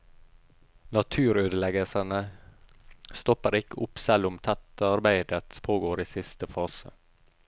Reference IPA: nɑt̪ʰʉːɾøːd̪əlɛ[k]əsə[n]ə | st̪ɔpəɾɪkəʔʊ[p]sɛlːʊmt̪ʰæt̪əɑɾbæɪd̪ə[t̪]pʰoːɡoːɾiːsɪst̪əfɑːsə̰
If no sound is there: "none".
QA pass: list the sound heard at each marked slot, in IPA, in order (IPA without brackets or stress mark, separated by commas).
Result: ɡ, n, p, t̪